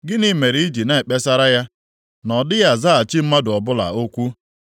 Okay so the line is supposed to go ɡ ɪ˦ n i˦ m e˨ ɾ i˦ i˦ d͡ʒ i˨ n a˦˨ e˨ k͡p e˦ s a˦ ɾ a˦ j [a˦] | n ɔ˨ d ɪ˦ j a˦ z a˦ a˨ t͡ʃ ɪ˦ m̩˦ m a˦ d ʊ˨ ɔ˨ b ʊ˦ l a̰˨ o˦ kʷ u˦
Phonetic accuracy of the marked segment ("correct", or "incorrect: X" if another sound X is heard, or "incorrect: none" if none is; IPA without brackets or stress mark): correct